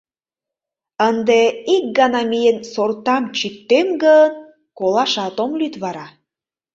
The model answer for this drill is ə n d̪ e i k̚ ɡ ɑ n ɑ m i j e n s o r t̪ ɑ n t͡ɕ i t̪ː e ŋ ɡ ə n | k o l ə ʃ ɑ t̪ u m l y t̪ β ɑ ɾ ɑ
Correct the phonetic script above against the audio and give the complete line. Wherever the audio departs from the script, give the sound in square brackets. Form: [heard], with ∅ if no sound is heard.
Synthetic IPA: ə n d̪ e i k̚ ɡ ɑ n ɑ m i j e n s o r t̪ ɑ [m] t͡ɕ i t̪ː e [m] ɡ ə n | k o l [ɑ] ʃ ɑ t̪ [o] m l y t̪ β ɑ ɾ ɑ